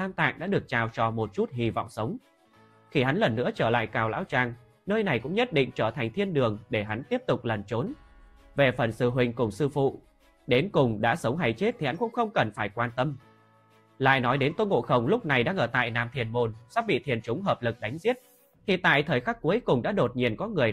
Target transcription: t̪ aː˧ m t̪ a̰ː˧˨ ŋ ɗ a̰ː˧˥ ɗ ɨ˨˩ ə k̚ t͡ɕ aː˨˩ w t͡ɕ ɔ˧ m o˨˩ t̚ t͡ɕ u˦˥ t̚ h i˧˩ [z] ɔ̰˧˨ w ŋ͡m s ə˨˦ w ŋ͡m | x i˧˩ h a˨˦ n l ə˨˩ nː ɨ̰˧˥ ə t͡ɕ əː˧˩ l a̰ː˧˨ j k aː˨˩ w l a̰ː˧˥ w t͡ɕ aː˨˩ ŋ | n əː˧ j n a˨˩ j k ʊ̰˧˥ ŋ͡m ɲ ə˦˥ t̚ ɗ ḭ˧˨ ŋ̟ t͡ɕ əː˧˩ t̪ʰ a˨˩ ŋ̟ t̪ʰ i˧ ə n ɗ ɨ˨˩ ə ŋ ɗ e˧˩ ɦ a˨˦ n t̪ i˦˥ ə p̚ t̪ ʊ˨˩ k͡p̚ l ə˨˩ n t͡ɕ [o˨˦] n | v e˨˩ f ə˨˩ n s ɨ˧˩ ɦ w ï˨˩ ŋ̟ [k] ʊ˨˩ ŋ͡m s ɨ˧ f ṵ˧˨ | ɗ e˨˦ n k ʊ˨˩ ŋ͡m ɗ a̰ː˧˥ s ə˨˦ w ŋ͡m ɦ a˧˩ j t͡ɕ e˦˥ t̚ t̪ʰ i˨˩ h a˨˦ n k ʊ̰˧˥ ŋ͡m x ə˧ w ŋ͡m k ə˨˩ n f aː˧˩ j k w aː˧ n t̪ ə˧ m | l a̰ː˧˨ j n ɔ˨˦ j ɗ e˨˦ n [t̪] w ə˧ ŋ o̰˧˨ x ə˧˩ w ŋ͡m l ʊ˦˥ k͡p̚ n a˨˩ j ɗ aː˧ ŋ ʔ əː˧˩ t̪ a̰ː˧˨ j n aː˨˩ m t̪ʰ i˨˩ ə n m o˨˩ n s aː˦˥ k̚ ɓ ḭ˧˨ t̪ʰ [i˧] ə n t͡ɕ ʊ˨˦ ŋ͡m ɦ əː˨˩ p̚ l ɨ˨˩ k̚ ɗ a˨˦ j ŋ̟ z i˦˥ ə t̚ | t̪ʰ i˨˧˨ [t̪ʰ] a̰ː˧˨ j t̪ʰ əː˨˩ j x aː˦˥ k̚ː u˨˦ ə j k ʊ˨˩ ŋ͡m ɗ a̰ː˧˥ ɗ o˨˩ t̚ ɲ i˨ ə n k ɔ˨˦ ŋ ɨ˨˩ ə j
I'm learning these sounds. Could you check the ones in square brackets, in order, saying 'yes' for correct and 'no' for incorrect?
no, yes, yes, yes, no, no

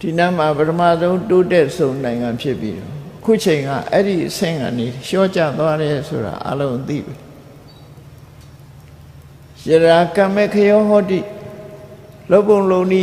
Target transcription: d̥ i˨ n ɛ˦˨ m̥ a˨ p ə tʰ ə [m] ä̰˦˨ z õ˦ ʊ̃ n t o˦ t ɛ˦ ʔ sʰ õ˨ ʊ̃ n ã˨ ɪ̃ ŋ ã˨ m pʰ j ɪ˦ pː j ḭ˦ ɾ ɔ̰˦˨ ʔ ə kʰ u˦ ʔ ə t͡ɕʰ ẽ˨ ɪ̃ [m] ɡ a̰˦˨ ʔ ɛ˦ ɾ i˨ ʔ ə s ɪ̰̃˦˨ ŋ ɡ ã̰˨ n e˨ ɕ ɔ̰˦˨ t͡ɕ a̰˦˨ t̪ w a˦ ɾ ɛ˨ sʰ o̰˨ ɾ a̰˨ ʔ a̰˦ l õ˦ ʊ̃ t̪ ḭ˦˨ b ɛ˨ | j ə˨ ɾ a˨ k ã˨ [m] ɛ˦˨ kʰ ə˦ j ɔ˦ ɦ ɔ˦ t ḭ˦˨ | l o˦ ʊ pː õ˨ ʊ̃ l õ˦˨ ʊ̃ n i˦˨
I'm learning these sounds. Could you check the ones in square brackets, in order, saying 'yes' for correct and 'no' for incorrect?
yes, no, yes

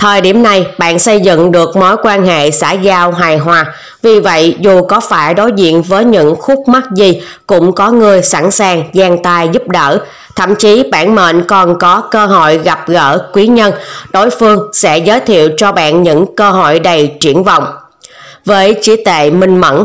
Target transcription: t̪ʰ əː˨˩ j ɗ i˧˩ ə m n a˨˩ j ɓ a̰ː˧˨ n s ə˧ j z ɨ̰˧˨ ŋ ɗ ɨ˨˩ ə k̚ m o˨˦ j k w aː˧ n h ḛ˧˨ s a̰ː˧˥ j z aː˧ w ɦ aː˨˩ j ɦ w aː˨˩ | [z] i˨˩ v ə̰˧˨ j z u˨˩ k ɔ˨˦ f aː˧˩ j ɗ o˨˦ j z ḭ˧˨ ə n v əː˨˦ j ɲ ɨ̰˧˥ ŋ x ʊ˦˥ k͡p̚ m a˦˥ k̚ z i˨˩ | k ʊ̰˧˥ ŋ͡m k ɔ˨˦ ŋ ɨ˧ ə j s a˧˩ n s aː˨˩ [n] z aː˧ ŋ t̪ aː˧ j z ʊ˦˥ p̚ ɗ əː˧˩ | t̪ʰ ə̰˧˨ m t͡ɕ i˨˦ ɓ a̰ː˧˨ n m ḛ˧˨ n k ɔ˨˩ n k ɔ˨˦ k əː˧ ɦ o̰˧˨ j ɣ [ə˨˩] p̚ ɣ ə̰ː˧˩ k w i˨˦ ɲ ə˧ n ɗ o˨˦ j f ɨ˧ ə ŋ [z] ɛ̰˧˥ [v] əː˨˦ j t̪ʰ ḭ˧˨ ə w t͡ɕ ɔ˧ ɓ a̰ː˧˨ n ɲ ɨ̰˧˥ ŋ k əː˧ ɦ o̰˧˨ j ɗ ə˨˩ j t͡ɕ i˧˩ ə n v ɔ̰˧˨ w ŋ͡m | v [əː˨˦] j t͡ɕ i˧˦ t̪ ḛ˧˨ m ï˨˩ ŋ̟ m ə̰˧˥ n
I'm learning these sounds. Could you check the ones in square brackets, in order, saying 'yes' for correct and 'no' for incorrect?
no, no, no, no, no, yes

